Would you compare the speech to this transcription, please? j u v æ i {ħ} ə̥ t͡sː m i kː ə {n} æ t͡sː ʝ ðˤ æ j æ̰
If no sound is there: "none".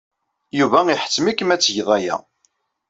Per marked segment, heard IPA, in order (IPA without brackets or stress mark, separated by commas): ħ, m